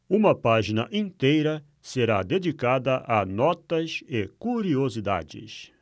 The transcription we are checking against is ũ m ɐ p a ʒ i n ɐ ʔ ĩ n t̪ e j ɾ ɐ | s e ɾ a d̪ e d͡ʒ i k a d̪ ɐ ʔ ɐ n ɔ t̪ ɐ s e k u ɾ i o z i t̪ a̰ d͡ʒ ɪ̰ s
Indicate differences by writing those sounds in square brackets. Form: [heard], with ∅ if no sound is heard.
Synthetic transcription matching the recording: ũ m ɐ p a ʒ i n ɐ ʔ ĩ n t̪ e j ɾ ɐ | s e ɾ a d̪ e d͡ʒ i k a d̪ ɐ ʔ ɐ n ɔ t̪ ɐ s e k u ɾ i o z i [d̪] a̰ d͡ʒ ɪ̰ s